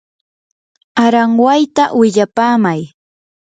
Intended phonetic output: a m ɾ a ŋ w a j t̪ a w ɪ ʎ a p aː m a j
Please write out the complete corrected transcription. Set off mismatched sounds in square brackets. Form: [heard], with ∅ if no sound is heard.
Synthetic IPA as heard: a [∅] ɾ a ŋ w a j t̪ a w ɪ ʎ a p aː m a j